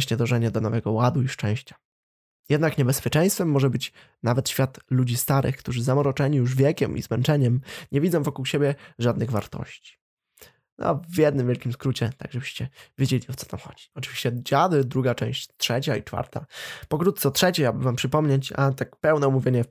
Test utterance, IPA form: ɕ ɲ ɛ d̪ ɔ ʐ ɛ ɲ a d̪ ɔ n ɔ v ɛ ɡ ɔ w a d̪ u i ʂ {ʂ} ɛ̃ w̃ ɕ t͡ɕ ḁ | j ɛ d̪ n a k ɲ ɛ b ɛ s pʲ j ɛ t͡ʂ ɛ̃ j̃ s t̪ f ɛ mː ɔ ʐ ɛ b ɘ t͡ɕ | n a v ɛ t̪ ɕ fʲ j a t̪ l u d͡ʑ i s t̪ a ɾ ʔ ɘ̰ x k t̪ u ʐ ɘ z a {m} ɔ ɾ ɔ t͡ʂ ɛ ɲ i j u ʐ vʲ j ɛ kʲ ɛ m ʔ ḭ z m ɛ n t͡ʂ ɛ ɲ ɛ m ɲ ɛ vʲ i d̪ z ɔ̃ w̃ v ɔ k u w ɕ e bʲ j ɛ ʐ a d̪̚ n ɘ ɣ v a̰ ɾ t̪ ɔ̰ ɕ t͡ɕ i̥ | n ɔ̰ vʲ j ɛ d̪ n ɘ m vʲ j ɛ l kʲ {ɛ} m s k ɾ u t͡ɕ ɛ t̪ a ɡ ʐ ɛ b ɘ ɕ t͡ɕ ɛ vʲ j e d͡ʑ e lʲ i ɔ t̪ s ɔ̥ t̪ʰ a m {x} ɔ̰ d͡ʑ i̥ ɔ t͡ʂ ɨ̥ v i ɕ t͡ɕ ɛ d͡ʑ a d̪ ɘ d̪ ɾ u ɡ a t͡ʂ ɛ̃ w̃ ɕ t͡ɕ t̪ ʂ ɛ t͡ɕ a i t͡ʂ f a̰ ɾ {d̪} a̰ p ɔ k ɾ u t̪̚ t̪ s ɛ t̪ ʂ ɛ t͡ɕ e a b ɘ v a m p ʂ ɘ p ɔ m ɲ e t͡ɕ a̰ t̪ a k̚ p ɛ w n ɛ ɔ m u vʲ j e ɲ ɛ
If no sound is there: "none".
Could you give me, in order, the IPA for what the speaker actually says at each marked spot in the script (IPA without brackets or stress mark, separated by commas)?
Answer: t͡ʂ, m, i, x, t̪